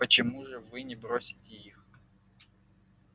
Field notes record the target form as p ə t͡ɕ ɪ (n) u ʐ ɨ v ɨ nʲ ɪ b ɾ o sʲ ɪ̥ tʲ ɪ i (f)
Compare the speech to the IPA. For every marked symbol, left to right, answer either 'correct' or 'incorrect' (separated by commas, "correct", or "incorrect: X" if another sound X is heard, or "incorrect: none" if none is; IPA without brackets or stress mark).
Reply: incorrect: m, incorrect: x